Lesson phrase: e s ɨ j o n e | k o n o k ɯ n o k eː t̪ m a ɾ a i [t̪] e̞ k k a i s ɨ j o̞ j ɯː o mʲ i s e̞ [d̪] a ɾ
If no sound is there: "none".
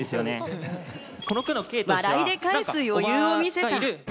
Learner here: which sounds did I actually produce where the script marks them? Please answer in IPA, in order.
d̪, t̪

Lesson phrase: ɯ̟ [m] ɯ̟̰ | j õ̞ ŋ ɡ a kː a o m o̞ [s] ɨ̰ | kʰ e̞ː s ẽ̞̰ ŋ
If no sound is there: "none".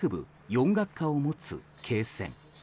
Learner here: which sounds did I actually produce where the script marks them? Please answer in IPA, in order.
b, t͡s

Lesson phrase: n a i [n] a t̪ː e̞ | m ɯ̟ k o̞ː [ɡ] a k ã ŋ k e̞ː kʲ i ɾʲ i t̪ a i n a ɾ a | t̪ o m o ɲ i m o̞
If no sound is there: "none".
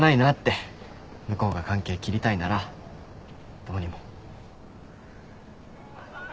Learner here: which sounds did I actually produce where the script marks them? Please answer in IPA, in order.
n, ɡ

